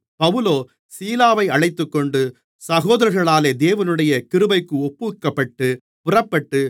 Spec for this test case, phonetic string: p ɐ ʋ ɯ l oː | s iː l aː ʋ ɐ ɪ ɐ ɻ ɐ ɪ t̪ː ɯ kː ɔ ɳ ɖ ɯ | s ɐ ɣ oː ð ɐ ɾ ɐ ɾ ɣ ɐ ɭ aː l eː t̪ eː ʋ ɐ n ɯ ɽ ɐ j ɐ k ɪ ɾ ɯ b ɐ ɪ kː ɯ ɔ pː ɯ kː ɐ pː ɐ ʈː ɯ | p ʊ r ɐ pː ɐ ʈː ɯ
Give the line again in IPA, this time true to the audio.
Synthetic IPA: p ɐ ʋ ɯ l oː | s iː l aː ʋ ɐ ɪ ɐ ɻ ɐ ɪ t̪ː ɯ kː ɔ ɳ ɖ ɯ | s ɐ ɣ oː ð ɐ ɾ ɐ ɾ ɣ ɐ ɭ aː l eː d̪ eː ʋ ɐ n ɯ ɽ ɐ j ɐ k ɪ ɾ ɯ b ɐ ɪ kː ɯ ɔ pː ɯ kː ɐ pː ɐ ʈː ɯ | p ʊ r ɐ pː ɐ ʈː ɯ